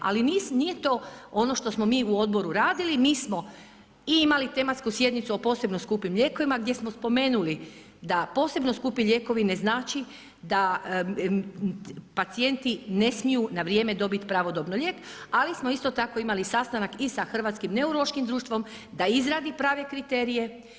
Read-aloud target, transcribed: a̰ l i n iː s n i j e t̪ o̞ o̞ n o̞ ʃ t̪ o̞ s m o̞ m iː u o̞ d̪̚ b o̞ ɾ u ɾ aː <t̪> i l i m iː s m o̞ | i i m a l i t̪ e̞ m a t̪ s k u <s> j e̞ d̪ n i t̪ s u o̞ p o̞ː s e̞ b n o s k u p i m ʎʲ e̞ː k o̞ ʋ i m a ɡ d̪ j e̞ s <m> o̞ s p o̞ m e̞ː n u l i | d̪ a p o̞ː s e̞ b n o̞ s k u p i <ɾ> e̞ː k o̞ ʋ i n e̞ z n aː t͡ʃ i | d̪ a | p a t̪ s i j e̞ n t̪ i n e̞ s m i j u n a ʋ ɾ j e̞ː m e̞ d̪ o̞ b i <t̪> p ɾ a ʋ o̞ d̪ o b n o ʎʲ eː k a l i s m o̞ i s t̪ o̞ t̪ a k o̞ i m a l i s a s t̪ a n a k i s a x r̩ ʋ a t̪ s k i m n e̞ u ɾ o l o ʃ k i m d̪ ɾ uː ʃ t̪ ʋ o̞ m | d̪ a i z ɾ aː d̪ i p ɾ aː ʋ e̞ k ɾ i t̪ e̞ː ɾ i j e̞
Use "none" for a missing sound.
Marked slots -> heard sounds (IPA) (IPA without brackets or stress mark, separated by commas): d̪, s, m, ʎ, t̪